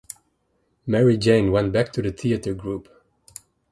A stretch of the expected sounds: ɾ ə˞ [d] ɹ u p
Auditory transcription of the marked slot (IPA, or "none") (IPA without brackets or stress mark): ɡ